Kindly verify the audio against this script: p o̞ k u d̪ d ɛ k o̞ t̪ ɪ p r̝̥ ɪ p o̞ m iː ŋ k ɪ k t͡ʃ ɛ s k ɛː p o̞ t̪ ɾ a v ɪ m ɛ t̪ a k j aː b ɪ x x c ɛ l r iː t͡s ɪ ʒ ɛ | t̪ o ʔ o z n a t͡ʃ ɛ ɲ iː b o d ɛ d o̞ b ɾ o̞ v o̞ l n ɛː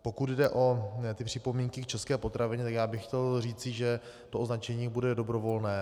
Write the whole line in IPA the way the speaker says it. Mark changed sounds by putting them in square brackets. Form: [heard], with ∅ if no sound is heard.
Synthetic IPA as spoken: p o̞ k u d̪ d ɛ [ʔ] o̞ t̪ ɪ p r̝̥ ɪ p o̞ m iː ŋ k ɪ k t͡ʃ ɛ s k ɛː p o̞ t̪ ɾ a v ɪ [ɲ] ɛ t̪ a k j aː b ɪ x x c ɛ l r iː t͡s ɪ ʒ ɛ | t̪ o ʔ o z n a t͡ʃ ɛ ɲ iː b [u] d ɛ d o̞ b ɾ o̞ v o̞ l n ɛː